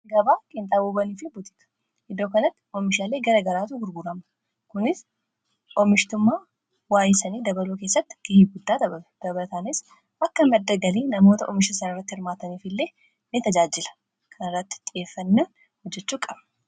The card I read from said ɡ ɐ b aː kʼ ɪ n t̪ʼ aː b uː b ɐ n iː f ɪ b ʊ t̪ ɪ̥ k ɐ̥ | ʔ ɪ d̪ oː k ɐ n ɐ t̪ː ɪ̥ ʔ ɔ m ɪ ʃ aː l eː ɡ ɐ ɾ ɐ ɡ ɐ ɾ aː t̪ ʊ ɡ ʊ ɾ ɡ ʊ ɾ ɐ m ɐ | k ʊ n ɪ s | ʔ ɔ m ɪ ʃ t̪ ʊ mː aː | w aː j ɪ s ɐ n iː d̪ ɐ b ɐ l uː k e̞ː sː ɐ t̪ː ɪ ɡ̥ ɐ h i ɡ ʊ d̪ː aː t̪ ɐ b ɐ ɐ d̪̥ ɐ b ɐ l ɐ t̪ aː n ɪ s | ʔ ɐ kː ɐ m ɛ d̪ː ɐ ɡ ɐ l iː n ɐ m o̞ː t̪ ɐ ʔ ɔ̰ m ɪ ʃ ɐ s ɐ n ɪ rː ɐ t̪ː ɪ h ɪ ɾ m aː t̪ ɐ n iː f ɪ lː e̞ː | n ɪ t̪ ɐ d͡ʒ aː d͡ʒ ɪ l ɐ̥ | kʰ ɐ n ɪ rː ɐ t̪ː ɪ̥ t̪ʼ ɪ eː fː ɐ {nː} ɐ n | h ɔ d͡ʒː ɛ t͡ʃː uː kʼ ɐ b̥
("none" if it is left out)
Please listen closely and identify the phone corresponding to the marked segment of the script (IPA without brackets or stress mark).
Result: nː